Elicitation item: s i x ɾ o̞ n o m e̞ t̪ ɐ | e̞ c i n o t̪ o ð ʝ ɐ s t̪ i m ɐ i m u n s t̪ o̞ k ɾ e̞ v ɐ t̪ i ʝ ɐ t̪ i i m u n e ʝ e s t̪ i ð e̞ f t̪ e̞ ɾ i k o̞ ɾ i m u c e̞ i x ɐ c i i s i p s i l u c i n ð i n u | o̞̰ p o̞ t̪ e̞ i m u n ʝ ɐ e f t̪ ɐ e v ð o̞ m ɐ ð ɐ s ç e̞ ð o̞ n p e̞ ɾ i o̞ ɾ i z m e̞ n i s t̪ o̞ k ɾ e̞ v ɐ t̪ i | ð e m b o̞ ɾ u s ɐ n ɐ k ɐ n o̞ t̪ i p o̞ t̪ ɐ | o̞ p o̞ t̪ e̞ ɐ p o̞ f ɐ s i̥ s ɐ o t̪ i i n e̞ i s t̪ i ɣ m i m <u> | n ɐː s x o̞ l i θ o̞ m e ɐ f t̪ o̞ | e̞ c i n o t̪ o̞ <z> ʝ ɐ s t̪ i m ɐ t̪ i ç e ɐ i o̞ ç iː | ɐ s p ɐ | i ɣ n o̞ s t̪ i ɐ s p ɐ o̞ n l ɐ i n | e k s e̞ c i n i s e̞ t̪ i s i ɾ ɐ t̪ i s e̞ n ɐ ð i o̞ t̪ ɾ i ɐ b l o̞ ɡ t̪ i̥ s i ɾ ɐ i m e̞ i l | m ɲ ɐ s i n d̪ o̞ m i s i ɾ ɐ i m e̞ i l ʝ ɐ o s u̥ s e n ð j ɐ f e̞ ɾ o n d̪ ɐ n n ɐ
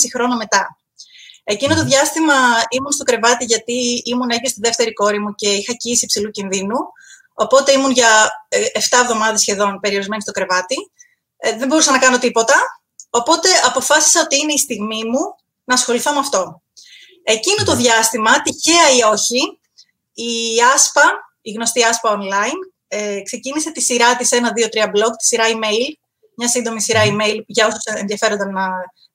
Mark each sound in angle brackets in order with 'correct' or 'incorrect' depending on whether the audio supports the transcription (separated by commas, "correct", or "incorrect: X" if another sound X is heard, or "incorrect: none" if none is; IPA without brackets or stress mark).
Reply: correct, incorrect: ð